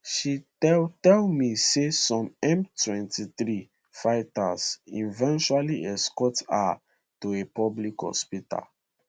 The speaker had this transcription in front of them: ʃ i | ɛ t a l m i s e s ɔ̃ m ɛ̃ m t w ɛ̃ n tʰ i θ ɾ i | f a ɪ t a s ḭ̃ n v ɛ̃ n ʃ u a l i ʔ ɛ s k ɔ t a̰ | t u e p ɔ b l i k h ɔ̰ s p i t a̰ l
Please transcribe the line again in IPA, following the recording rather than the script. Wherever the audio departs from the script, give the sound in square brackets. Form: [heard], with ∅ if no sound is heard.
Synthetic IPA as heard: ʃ i | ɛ t [ɛ] l m i s e s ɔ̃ m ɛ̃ m t w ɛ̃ n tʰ i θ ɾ i | f a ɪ t a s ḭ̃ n v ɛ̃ n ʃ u a l i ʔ ɛ s k ɔ t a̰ | t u e p ɔ b l i k h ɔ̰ s p i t a̰ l